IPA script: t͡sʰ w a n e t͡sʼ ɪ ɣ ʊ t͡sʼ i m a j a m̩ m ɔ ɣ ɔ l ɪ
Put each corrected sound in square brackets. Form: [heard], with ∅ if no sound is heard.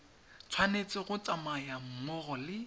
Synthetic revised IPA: t͡sʰ w a n e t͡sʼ ɪ ɣ ʊ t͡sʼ [a] m a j a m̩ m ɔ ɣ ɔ l ɪ